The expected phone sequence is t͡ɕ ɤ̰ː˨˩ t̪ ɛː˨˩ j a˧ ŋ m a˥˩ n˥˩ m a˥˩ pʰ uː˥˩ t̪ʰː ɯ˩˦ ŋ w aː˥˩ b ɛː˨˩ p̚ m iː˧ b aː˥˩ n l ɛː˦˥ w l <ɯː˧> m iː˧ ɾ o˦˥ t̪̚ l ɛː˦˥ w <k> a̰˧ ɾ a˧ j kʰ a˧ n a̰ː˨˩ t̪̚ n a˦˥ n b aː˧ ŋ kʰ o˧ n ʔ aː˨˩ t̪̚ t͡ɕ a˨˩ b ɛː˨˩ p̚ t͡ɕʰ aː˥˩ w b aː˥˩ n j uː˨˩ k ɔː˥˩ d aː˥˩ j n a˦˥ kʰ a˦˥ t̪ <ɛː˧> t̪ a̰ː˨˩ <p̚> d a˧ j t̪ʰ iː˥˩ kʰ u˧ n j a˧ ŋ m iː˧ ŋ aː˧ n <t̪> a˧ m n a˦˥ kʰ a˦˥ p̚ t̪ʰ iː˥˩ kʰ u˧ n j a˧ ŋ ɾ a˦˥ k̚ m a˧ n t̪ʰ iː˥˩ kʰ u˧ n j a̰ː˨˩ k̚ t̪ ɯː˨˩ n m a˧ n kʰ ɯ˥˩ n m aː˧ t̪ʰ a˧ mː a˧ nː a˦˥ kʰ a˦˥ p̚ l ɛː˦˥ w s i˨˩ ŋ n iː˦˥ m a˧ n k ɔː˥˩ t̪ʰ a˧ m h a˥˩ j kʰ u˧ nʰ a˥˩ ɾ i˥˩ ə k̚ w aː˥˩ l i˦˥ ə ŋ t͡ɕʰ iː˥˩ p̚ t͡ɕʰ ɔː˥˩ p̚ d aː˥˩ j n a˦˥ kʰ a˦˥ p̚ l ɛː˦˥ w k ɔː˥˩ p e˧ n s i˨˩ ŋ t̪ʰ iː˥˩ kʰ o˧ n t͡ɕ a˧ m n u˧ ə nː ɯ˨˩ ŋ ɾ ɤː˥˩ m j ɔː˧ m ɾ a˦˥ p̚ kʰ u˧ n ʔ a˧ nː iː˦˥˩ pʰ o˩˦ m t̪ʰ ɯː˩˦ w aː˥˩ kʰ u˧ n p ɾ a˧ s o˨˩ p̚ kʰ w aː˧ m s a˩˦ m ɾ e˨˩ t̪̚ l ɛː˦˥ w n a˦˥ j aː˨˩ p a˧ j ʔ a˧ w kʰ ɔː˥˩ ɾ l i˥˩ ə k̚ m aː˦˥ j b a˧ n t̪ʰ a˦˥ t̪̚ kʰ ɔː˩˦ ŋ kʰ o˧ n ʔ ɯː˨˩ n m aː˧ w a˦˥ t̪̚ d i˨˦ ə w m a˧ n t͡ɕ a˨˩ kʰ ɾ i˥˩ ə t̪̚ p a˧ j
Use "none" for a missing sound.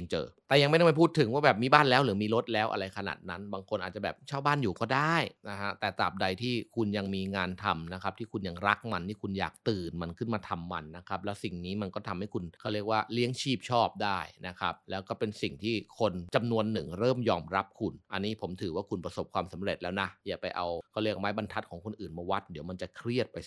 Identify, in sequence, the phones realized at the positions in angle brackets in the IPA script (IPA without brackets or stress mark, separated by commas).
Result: ɯː˩˦, ʔ, ɛː˨˩, p̚, t̪ʰ